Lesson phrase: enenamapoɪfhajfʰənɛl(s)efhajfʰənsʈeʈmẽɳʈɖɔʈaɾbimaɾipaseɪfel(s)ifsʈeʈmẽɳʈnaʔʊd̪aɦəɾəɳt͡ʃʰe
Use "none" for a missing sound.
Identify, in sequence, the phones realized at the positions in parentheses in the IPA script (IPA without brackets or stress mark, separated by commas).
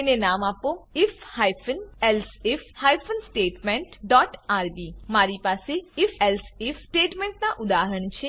s, s